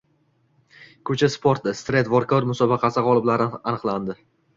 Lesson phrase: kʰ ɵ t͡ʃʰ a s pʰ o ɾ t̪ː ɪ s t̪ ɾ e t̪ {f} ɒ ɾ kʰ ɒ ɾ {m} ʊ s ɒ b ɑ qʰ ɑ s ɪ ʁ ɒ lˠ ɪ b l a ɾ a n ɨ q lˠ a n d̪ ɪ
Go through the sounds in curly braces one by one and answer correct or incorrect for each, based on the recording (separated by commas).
incorrect, correct